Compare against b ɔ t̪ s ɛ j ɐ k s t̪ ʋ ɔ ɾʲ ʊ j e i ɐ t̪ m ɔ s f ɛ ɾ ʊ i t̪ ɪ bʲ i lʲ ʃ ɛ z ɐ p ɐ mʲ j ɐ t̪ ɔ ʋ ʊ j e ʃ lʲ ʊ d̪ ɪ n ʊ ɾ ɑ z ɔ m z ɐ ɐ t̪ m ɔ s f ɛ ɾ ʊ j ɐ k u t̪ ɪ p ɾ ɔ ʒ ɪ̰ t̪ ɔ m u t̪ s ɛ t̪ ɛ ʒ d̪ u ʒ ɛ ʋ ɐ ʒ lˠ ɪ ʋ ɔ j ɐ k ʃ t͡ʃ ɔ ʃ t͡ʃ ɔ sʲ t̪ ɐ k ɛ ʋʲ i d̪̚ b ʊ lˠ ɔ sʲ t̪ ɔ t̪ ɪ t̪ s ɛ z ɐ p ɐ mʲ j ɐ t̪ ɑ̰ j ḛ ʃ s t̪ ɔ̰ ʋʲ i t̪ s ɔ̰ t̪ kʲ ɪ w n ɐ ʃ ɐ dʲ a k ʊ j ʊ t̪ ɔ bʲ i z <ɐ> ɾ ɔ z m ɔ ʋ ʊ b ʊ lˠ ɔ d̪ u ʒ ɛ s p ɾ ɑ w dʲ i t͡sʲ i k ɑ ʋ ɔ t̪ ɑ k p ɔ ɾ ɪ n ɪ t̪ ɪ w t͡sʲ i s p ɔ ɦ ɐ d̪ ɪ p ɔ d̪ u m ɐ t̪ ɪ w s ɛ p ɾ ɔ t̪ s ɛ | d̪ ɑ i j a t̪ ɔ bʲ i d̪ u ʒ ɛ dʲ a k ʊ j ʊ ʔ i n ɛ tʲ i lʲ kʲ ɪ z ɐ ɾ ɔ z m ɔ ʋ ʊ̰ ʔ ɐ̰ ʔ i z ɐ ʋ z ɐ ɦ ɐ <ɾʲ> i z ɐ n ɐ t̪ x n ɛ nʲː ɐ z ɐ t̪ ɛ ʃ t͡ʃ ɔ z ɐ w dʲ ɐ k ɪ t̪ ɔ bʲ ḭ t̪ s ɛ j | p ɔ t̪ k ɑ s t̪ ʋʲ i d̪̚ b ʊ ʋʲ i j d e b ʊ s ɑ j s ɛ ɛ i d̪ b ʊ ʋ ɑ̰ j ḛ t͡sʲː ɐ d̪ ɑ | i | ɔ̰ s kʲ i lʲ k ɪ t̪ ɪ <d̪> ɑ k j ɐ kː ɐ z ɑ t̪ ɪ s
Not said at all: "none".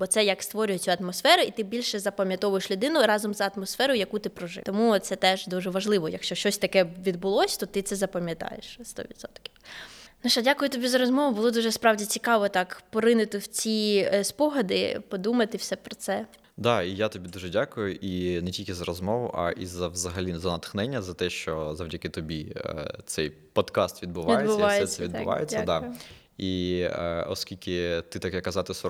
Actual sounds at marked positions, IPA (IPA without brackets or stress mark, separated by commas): ɐ, lʲ, t̪